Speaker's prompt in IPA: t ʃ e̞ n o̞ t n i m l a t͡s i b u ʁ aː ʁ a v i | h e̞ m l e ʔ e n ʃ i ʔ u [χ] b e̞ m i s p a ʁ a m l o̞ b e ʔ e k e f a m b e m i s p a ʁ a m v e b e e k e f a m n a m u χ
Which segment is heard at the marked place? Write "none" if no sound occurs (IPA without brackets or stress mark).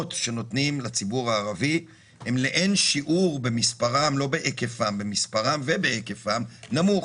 ʁ